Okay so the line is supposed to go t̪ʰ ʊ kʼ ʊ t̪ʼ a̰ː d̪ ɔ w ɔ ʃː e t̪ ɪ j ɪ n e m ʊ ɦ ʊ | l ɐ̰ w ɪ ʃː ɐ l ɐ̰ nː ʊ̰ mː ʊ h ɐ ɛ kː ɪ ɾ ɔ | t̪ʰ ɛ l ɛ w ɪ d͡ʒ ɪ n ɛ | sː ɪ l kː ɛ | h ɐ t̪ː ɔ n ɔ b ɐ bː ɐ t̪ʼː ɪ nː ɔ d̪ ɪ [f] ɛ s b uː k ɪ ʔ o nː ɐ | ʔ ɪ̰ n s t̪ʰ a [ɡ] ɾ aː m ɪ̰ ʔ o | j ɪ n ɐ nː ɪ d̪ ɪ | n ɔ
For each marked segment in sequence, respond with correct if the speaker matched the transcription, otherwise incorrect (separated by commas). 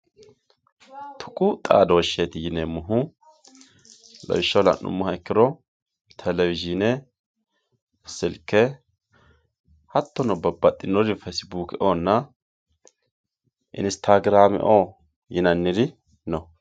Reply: correct, correct